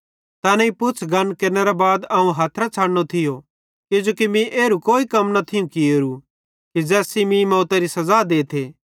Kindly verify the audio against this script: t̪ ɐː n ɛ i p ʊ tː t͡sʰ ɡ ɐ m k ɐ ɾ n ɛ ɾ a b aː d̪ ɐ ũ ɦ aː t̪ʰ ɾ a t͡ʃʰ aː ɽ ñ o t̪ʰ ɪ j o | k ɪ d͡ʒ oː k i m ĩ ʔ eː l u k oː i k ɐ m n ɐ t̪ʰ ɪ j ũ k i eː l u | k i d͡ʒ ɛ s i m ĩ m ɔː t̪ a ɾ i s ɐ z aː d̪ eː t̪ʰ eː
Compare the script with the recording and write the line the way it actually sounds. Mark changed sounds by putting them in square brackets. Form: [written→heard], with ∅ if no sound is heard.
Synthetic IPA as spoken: t̪ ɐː n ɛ i p ʊ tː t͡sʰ ɡ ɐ [m→n] k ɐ ɾ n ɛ ɾ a b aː d̪ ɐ ũ ɦ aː t̪ʰ ɾ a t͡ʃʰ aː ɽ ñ o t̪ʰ ɪ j o | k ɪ d͡ʒ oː k i m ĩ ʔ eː [l→ɾ] u k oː i k ɐ m n ɐ t̪ʰ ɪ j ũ k i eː [l→ɾ] u | k i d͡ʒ [ɛ→ɛː] s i m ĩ m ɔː t̪ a ɾ i s ɐ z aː d̪ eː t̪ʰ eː

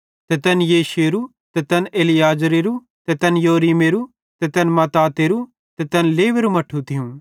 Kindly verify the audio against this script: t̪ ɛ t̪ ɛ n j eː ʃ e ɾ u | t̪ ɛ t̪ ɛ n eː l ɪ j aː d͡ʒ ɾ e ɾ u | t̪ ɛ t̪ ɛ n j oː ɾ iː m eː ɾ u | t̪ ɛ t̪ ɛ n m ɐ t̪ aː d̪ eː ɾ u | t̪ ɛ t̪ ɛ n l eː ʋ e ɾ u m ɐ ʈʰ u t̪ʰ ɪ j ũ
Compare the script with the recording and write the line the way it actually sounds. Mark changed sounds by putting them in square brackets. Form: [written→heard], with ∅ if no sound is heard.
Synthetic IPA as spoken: t̪ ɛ t̪ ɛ n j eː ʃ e ɾ u | t̪ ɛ t̪ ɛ n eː l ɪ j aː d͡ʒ ɾ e ɾ u | t̪ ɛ t̪ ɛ n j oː ɾ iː m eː ɾ u | t̪ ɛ t̪ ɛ n m ɐ t̪ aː [d̪→t̪] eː ɾ u | t̪ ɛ t̪ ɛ n l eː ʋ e ɾ u m ɐ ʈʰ u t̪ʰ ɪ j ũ

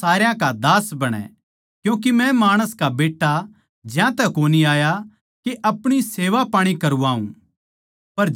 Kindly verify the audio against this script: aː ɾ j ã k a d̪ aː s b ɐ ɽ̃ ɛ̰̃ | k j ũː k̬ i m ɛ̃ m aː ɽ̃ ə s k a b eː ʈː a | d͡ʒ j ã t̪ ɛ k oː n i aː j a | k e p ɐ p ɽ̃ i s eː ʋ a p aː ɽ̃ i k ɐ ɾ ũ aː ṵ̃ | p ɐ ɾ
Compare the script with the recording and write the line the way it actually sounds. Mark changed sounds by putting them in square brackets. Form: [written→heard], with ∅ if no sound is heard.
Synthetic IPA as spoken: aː ɾ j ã k a d̪ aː s b ɐ ɽ̃ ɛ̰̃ | k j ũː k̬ i m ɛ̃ m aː ɽ̃ ə s k a b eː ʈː a | d͡ʒ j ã t̪ ɛ k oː n i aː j a | k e [p→ʔ] ɐ p ɽ̃ i s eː ʋ a p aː ɽ̃ i k ɐ ɾ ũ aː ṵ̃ | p ɐ ɾ

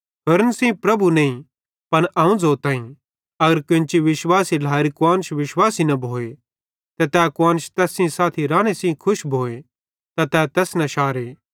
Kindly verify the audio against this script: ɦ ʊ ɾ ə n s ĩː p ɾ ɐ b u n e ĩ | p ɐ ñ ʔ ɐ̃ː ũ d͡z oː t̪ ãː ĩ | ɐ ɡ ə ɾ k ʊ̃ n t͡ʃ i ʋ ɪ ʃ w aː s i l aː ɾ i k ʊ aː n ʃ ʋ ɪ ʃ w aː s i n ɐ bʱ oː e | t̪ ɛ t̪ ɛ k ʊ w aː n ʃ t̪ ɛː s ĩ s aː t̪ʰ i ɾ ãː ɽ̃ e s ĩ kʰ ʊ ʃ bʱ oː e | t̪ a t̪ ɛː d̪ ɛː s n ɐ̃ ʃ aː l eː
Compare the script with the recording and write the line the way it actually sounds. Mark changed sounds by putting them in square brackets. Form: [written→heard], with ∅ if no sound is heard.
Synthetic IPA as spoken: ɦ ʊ ɾ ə n s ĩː p ɾ ɐ b u n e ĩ | p ɐ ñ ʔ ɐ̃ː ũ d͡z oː t̪ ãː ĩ | ɐ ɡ ə ɾ k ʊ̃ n t͡ʃ i ʋ ɪ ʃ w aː s i l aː ɾ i k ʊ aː n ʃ ʋ ɪ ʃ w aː s i n ɐ bʱ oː e | t̪ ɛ t̪ ɛ k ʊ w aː n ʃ t̪ ɛː s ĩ s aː t̪ʰ i ɾ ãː ɽ̃ e s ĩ kʰ ʊ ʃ bʱ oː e | t̪ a t̪ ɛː [d̪→t̪] ɛː s n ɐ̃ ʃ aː [l→ɾ] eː

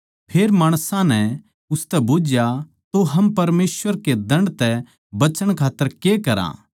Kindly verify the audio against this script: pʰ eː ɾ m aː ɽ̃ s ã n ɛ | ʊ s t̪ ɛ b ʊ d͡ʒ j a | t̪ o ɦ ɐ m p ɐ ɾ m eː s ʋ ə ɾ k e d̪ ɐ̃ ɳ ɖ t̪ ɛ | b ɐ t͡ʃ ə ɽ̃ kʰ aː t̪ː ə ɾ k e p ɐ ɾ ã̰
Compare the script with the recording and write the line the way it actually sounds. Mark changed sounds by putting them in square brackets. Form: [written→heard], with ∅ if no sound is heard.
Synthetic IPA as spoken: pʰ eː ɾ m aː ɽ̃ s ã n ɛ | ʊ s t̪ ɛ b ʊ d͡ʒ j a | t̪ o ɦ ɐ m p ɐ ɾ m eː s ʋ ə ɾ k e d̪ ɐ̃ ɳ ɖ t̪ ɛ | b ɐ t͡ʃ ə ɽ̃ kʰ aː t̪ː ə ɾ k e [p→k] ɐ ɾ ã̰

